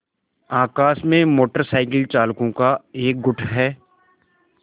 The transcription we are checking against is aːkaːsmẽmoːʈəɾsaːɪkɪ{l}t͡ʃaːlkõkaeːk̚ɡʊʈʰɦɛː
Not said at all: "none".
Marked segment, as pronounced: l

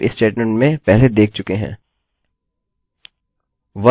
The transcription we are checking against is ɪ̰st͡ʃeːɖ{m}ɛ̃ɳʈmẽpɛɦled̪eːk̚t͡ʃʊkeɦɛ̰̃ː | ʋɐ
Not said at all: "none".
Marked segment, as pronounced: m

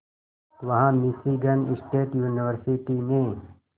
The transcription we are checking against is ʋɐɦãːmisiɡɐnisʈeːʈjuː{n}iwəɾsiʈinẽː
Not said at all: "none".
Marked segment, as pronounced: n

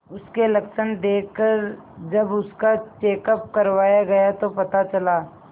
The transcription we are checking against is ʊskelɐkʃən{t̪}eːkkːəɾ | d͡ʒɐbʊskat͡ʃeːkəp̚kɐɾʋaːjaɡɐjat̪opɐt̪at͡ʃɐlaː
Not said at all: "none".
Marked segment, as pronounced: d̪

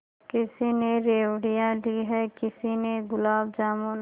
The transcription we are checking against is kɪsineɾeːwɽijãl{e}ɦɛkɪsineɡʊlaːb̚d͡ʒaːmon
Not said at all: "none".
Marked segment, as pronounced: i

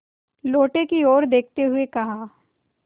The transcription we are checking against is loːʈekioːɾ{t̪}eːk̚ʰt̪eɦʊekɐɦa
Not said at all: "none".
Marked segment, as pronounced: d̪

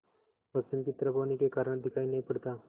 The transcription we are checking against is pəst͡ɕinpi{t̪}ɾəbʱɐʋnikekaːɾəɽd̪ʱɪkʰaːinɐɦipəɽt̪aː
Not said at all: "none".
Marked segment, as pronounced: t̪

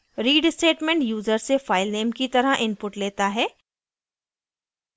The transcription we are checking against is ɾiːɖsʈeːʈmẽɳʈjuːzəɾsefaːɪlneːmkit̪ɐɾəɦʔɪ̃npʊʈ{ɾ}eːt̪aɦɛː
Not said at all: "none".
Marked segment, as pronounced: l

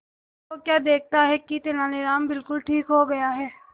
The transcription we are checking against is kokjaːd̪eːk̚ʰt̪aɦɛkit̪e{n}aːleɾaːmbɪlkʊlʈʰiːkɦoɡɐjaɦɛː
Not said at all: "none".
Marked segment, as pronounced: n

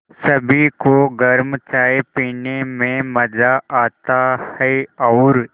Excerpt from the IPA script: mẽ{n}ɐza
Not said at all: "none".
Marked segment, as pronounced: m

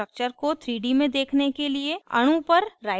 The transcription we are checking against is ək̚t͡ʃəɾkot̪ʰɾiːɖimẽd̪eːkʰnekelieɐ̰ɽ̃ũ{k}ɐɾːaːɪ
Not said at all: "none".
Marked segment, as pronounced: p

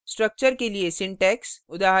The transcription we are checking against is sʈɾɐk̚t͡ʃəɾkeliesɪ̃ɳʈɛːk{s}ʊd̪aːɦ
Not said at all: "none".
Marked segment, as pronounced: s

